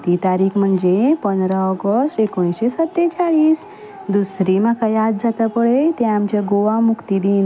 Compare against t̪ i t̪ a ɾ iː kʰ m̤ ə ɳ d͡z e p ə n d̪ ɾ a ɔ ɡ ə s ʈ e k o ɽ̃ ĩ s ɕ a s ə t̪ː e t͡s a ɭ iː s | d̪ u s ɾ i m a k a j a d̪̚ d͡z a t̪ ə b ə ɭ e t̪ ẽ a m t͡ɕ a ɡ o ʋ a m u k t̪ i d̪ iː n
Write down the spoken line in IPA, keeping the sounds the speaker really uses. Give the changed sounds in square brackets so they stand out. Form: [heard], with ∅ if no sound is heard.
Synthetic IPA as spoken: t̪ i t̪ a ɾ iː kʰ m̤ ə ɳ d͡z e p ə n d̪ ɾ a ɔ ɡ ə s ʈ e k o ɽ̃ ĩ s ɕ [e] s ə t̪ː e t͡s a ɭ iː s | d̪ u s ɾ i m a k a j a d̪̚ d͡z a t̪ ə [p] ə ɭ e t̪ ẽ a m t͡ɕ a ɡ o ʋ a m u k t̪ i d̪ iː n